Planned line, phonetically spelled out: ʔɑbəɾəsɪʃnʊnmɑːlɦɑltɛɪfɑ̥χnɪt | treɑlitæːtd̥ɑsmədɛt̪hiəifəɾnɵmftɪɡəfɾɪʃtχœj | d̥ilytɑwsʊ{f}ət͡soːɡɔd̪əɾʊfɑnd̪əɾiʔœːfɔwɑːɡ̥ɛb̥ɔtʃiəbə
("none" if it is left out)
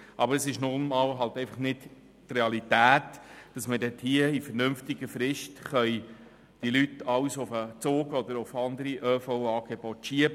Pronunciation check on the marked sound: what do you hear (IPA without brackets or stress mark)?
f